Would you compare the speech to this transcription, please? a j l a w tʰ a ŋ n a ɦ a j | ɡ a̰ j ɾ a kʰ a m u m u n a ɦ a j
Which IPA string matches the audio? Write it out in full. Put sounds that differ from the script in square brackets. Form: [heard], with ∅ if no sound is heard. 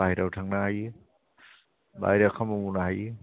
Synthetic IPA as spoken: a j [ɾ] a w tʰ a ŋ n a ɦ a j | [b] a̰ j ɾ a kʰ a m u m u n a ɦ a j